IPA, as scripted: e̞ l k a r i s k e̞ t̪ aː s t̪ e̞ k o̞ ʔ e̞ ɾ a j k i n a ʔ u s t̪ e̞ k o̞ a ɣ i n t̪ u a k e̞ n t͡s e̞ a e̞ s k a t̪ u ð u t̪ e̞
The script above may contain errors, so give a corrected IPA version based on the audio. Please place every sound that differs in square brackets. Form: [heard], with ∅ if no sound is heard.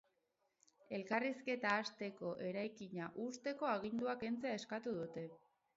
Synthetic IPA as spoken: e̞ l k a r i s k e̞ t̪ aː s t̪ e̞ k o̞ ʔ e̞ ɾ a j k i [ɲ] a ʔ u s t̪ e̞ k o̞ a ɣ i n [d̪] u a k e̞ n t͡s e̞ a e̞ s k a t̪ u ð u t̪ e̞

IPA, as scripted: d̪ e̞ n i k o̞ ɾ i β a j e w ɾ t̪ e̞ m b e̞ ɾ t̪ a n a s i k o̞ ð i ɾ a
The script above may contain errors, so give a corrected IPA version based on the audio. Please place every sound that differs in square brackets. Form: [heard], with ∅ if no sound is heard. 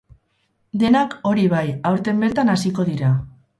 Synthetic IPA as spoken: d̪ e̞ n [a] k o̞ ɾ i β a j [a] w ɾ t̪ e̞ m b e̞ ɾ t̪ a n a s i k o̞ ð i ɾ a

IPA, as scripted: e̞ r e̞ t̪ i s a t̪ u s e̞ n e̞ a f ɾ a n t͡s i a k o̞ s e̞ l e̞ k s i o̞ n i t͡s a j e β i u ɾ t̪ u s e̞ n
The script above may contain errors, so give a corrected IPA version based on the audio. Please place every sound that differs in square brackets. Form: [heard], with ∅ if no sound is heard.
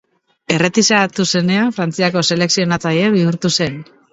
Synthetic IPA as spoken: e̞ r e̞ t̪ i s a t̪ u s e̞ n e̞ a f ɾ a n t͡s i a k o̞ s e̞ l e̞ k s i o̞ n [a] t͡s a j e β i u ɾ t̪ u s e̞ n

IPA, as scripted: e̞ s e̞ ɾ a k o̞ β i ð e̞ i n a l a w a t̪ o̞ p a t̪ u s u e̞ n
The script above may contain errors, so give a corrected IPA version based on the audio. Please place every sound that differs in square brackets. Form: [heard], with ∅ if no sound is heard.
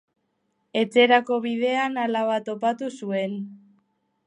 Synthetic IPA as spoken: e̞ [t͡s] e̞ ɾ a k o̞ β i ð e̞ [a] n a l a [β] a t̪ o̞ p a t̪ u s u e̞ n

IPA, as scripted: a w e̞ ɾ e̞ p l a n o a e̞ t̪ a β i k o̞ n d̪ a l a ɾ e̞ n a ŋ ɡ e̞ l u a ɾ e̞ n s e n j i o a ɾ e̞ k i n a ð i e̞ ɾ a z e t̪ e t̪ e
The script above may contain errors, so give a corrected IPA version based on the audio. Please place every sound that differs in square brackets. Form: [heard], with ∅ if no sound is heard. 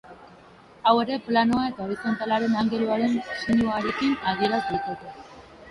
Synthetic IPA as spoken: a w e̞ ɾ e̞ p l a n o a e̞ t̪ a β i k o̞ n [t̪] a l a ɾ e̞ n a ŋ ɡ e̞ l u a ɾ e̞ n s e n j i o a ɾ e̞ k i n a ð i e̞ ɾ a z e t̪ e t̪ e

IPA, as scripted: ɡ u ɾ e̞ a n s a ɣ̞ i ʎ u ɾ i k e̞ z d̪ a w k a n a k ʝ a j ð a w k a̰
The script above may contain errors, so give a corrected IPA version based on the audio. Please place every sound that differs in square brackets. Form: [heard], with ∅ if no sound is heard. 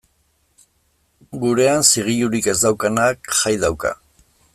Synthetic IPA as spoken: ɡ u ɾ e̞ a n s [i] ɣ̞ i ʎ u ɾ i k e̞ z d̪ a w k a n a k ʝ a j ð a w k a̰

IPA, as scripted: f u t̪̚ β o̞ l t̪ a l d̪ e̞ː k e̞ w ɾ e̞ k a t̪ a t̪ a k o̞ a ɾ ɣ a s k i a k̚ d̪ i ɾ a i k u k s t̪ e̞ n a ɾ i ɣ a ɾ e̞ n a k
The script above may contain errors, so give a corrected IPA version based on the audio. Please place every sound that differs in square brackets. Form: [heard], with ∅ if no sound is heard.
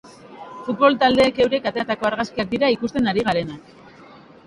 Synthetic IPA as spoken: f u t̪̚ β o̞ l t̪ a l d̪ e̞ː k e̞ w ɾ e̞ k a t̪ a t̪ a k o̞ a ɾ ɣ a s k i a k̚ d̪ i ɾ a i k u [∅] s t̪ e̞ n a ɾ i ɣ a ɾ e̞ n a k

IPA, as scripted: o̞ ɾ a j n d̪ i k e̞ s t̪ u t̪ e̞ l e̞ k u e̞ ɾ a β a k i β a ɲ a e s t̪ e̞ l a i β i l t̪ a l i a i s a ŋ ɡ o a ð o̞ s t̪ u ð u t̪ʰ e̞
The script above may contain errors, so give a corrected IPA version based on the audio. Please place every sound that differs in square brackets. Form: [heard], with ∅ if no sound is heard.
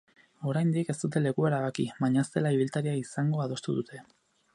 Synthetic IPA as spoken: o̞ ɾ a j n d̪ i k e̞ s t̪ u t̪ e̞ l e̞ k u e̞ ɾ a β a k i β a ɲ a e s t̪ e̞ l a i β i l t̪ a [ɾ] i a i s a ŋ ɡ o a ð o̞ s t̪ u ð u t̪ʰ e̞

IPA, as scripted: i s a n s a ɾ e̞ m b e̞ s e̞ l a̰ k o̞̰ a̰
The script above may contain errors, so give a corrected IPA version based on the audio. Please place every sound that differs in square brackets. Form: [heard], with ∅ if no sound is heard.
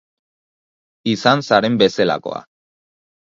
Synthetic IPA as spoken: i s a n s a ɾ e̞ m b e̞ s e̞ l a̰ k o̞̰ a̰

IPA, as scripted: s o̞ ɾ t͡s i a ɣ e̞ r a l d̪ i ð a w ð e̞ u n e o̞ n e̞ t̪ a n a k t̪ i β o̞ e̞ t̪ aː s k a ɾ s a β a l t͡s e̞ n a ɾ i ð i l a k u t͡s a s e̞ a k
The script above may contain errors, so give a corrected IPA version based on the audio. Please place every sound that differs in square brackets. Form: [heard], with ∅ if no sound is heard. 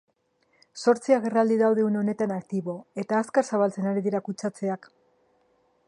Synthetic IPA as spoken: s o̞ ɾ t͡s i a ɣ e̞ r a l d̪ i ð a w ð e̞ u n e o̞ n e̞ t̪ a n a k t̪ i β o̞ e̞ t̪ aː s k a ɾ s a β a l t͡s e̞ n a ɾ i ð i [ɾ] a k u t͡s a [t͡s] e̞ a k

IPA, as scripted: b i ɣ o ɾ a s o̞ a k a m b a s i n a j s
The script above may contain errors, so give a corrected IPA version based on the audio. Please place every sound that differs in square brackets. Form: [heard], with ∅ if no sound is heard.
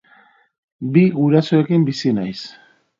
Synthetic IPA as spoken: b i ɣ [u] ɾ a s o̞ [e] k [i] m b [i] s i n a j s

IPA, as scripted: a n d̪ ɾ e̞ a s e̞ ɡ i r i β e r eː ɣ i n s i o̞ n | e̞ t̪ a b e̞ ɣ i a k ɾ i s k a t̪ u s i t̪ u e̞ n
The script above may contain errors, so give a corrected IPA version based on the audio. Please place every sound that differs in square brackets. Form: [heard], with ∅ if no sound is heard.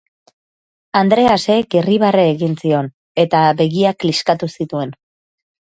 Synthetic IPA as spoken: a n d̪ ɾ e̞ a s e̞ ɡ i r i β [a] r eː ɣ i n s i o̞ n | e̞ t̪ a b e̞ ɣ i a k [l] i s k a t̪ u s i t̪ u e̞ n

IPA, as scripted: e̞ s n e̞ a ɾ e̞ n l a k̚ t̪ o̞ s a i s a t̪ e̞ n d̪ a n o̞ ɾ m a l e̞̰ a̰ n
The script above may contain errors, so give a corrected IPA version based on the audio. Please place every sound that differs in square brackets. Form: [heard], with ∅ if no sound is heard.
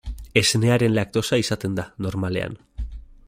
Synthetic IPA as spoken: e̞ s n e̞ a ɾ e̞ n l a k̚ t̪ o̞ s a i s a t̪ e̞ n d̪ a n o̞ ɾ m a l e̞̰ a̰ n

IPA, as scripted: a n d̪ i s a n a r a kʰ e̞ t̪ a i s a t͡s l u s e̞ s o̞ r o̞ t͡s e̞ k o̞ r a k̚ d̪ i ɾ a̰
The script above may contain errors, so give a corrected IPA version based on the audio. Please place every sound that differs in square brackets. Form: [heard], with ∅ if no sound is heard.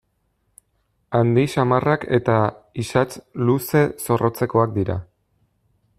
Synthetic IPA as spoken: a n d̪ i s a [m] a r a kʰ e̞ t̪ a i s a t͡s l u s e̞ s o̞ r o̞ t͡s e̞ k o̞ [∅] a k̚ d̪ i ɾ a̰

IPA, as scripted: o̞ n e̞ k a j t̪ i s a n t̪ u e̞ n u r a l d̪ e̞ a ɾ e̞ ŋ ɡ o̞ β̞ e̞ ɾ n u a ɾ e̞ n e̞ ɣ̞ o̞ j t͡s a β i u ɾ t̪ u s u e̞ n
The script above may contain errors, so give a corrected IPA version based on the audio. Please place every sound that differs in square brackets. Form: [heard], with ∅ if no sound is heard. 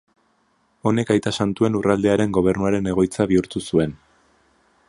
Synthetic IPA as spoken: o̞ n e̞ k a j t̪ [a] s a n t̪ u e̞ n u r a l d̪ e̞ a ɾ e̞ ŋ ɡ o̞ β̞ e̞ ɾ n u a ɾ e̞ n e̞ ɣ̞ o̞ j t͡s a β i u ɾ t̪ u s u e̞ n

